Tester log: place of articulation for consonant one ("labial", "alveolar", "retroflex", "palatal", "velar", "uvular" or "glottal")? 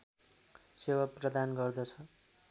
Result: alveolar